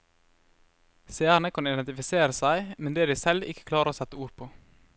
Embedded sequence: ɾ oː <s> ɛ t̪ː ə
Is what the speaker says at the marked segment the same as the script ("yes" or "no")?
yes